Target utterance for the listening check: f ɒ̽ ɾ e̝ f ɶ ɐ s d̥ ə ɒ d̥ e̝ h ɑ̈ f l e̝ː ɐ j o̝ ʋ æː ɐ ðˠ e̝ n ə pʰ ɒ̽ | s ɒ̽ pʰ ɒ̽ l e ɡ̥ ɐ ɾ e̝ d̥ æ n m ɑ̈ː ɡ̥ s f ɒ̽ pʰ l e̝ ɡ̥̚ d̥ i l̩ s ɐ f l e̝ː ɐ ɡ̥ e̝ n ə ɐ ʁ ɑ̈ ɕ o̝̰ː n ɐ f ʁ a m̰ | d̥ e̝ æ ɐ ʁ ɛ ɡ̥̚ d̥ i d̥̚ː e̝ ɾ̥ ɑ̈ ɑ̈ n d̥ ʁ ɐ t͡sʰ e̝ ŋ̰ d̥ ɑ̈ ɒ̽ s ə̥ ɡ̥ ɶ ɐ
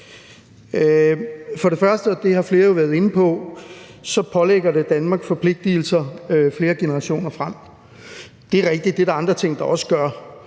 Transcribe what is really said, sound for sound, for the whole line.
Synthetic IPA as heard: f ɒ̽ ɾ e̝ f ɶ ɐ s d̥ ə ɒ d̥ e̝ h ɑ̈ f l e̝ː ɐ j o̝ ʋ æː ɐ ðˠ e̝ n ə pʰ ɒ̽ | s ɒ̽ pʰ ɒ̽ l e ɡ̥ ɐ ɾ e̝ d̥ æ n m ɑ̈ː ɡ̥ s f ɒ̽ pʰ l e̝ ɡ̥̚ d̥ i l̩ s ɐ f l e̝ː ɐ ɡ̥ e̝ n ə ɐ ʁ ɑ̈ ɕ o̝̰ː n ɐ f ʁ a m̰ | d̥ e̝ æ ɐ ʁ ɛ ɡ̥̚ d̥ i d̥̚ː e̝ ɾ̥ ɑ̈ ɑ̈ n d̥ ʁ ɐ t͡sʰ e̝ ŋ̰ d̥ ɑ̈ ɒ̽ s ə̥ ɡ̥ ɶ ɐ